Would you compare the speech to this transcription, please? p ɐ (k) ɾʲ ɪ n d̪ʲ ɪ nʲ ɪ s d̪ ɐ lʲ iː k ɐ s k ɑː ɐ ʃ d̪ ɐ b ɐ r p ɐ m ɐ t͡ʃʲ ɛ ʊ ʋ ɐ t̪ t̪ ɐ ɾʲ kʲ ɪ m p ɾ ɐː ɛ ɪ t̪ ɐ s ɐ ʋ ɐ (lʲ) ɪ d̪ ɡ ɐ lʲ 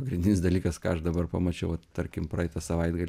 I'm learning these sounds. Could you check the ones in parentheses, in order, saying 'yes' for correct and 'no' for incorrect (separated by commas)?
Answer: no, no